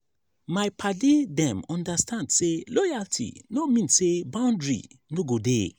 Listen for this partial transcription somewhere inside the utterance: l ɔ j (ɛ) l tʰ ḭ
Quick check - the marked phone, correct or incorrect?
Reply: incorrect